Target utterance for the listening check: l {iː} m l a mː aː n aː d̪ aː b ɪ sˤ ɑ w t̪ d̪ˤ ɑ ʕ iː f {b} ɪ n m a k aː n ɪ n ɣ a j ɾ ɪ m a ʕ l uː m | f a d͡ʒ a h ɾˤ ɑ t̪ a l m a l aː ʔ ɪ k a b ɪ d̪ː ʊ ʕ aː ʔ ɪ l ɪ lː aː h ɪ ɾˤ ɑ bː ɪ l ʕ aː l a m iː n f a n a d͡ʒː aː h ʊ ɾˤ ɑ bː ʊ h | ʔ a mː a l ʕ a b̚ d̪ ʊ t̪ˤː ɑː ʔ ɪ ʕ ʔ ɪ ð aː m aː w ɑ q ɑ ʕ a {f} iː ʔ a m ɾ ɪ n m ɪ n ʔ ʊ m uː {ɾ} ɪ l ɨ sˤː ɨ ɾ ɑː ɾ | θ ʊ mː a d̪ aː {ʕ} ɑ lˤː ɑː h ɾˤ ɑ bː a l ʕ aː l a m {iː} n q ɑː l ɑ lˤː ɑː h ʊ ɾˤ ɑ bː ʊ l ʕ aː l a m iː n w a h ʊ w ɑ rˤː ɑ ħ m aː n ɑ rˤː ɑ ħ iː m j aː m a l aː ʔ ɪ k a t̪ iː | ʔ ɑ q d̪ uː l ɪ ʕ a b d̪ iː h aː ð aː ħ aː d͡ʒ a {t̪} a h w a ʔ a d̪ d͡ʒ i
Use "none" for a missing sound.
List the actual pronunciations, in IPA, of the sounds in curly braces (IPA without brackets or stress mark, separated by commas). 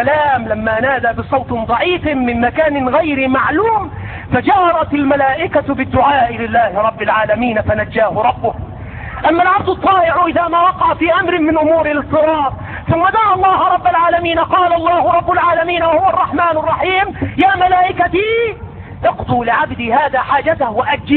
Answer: aː, m, f, ɾ, ʕ, iː, t̪